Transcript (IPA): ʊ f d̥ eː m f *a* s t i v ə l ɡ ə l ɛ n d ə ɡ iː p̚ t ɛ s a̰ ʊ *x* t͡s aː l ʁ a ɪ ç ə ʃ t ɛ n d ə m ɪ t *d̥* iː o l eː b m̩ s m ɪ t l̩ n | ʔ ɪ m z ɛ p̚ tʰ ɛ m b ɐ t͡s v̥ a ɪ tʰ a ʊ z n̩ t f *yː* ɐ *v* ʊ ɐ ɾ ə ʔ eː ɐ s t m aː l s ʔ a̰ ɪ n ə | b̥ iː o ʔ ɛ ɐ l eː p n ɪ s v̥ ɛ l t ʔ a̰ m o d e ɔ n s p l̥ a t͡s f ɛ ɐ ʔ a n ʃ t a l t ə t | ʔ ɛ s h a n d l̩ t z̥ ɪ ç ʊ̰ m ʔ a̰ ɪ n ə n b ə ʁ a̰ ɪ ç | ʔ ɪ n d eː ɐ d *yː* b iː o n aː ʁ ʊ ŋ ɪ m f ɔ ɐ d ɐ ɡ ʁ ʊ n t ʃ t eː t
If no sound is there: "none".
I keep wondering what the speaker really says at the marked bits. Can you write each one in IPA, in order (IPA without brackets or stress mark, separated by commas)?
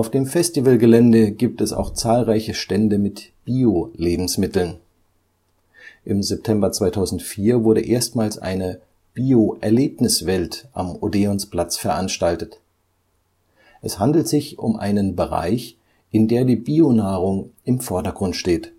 ɛ, x, b̥, iː, v, iː